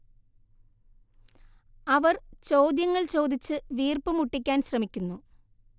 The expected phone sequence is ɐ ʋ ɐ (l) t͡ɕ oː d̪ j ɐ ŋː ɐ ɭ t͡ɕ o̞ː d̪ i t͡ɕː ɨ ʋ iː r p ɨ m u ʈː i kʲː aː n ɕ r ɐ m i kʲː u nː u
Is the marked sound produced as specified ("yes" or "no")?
no